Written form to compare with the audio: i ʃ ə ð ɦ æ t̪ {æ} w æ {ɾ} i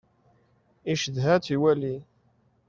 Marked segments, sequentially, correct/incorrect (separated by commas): incorrect, incorrect